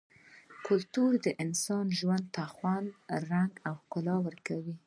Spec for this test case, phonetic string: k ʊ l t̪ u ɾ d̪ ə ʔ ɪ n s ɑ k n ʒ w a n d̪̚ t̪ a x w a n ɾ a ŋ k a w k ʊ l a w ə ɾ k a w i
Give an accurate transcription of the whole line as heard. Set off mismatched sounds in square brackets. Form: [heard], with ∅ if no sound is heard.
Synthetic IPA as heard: k ʊ l t̪ u ɾ d̪ ə ʔ ɪ n s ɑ [∅] n ʒ w a n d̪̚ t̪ a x w a n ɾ a ŋ [ɡ] a w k ʊ l [ɑ] w ə ɾ k a w i